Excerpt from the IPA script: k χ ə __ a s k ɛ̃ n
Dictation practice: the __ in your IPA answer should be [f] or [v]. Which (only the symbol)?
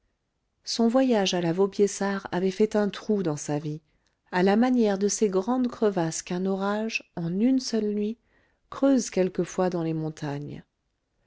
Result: v